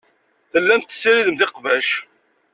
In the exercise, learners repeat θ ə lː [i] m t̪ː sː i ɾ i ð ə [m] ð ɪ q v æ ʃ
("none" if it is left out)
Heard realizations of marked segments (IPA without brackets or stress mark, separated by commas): æ, m